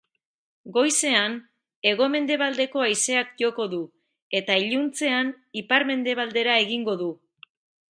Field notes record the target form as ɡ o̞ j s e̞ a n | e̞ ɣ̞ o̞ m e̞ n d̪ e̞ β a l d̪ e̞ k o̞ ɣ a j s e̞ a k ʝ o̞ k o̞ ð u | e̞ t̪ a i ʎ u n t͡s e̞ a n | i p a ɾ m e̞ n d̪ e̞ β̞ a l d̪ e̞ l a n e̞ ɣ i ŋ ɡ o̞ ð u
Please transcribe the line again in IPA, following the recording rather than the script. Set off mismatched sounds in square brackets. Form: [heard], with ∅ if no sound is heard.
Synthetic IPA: ɡ o̞ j s e̞ a n | e̞ ɣ̞ o̞ m e̞ n d̪ e̞ β a l d̪ e̞ k o̞ [∅] a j s e̞ a k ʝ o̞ k o̞ ð u | e̞ t̪ a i ʎ u n t͡s e̞ a n | i p a ɾ m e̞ n d̪ e̞ β̞ a l d̪ e̞ [ɾ] a [∅] e̞ ɣ i ŋ ɡ o̞ ð u